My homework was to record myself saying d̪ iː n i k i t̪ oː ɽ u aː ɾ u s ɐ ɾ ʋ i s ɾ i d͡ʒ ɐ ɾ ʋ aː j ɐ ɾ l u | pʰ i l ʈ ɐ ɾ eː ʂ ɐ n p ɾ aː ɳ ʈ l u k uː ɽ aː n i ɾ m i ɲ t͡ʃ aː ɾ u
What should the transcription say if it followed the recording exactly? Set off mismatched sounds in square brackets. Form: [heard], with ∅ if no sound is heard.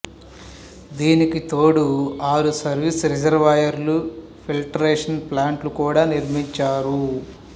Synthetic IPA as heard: d̪ iː n i k i t̪ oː ɽ u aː ɾ u s ɐ ɾ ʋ i s ɾ i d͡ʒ ɐ ɾ ʋ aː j ɐ ɾ l u | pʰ i l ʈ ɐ ɾ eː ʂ ɐ n p [l] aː ɳ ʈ l u k uː ɽ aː n i ɾ m i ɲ t͡ʃ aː ɾ u